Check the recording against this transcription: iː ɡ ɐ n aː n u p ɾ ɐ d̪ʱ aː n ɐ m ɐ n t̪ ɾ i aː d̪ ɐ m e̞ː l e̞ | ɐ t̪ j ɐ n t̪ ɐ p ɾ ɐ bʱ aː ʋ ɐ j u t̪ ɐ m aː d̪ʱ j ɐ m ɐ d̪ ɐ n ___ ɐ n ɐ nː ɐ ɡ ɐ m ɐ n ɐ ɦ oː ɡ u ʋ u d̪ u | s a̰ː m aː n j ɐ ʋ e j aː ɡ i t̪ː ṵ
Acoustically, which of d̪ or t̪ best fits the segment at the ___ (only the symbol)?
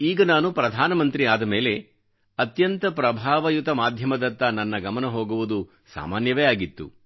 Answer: t̪